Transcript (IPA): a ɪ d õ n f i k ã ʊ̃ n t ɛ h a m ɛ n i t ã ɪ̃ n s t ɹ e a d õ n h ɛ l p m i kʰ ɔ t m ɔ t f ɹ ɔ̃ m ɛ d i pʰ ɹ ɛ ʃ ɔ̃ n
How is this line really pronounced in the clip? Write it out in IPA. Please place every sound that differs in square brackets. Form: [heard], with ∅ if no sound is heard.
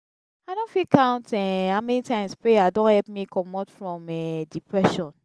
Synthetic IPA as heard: a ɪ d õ n f i k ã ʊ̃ n t ɛ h a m ɛ n i t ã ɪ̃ [m] s [p] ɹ e a d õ n h ɛ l p m i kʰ ɔ [∅] m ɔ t f ɹ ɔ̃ m ɛ d i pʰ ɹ ɛ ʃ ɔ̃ n